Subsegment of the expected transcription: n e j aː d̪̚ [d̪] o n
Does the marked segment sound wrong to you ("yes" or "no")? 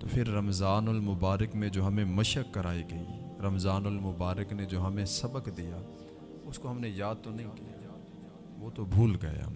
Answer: yes